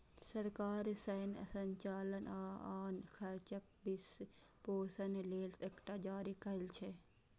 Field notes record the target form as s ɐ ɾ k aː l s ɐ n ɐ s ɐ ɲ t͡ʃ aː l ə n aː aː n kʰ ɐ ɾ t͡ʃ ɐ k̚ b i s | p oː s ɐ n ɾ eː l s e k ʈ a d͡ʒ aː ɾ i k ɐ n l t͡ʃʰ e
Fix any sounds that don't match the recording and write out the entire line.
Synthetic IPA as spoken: s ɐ ɾ k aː ɾ s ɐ n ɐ s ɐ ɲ t͡ʃ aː l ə n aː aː n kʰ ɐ ɾ t͡ʃ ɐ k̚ b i s | p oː s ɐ n l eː l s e k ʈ a d͡ʒ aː ɾ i k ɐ l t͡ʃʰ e